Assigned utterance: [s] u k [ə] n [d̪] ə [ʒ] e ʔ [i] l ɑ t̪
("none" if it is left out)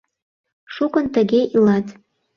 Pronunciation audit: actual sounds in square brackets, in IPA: ʃ, ə, t̪, ɣ, i

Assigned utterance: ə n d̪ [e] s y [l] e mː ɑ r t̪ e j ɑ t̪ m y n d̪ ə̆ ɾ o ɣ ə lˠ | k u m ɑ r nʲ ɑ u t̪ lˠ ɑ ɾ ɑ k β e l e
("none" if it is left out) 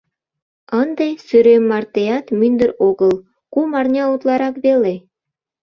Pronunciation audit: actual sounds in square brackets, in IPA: e, ɾ

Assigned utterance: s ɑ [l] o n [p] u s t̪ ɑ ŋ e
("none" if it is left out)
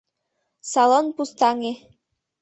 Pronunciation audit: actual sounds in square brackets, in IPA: l, p

